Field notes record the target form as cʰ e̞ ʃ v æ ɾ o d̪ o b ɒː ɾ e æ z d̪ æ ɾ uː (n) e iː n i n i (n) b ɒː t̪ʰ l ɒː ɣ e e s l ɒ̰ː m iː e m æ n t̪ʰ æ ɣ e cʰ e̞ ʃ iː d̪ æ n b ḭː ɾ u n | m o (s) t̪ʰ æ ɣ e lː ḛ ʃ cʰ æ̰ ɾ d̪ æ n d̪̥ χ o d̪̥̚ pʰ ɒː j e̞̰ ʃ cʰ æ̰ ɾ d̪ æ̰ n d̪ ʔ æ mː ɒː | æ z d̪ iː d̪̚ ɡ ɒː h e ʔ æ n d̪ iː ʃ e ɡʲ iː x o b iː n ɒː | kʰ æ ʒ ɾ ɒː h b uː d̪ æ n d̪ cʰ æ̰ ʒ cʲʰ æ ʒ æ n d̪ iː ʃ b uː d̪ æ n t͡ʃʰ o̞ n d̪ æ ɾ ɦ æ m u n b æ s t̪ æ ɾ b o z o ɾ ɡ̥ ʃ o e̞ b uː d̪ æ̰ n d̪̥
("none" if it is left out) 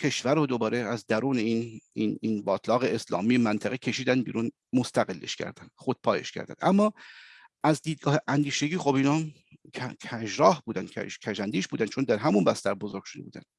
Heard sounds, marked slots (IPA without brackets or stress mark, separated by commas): n, n, s